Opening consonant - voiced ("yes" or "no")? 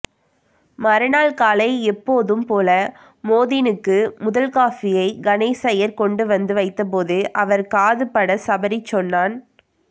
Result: yes